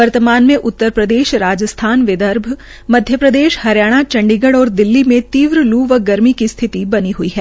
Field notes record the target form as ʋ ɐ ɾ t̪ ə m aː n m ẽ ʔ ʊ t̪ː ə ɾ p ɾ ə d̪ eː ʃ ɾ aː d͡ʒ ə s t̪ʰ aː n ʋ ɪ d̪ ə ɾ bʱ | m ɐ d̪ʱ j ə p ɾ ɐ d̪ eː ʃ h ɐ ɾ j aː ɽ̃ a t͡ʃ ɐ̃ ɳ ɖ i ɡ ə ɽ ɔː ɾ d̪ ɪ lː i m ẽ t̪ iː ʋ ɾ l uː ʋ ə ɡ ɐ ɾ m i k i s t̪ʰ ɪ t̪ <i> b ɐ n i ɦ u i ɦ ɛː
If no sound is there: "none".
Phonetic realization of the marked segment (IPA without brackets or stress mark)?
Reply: i